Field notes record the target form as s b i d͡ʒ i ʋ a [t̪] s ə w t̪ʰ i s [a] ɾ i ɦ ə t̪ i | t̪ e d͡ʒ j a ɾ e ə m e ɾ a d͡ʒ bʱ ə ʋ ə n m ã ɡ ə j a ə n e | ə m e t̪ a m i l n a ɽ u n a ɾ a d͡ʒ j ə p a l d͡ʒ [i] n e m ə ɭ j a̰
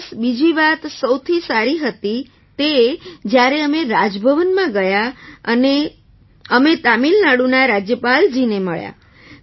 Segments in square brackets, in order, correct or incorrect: correct, correct, correct

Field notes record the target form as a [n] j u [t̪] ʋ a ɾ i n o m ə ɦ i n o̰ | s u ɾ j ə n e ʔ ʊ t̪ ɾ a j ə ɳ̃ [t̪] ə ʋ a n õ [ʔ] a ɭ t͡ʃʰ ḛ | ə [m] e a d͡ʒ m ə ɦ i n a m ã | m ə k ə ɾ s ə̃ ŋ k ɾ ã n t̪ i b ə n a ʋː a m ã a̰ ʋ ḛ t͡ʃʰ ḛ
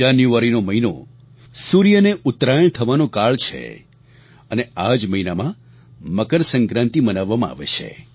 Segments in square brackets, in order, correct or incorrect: correct, incorrect, incorrect, incorrect, incorrect

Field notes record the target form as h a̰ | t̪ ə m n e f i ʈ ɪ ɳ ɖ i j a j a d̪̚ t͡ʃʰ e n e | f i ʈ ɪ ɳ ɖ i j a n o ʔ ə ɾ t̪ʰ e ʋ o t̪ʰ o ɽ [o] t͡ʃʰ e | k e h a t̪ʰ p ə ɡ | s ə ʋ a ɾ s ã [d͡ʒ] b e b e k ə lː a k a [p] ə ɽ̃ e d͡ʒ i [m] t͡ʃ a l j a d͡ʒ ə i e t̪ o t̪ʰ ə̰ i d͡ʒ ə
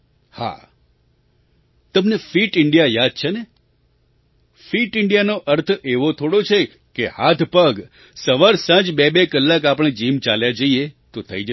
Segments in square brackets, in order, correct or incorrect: correct, correct, correct, correct

